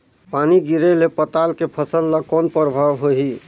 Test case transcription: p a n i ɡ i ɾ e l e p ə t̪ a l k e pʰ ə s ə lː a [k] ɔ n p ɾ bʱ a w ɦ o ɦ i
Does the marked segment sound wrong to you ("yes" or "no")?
no